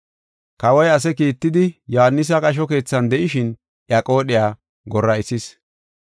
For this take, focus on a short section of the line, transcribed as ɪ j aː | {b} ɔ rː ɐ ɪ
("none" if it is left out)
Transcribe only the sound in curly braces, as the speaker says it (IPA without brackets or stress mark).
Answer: ɡ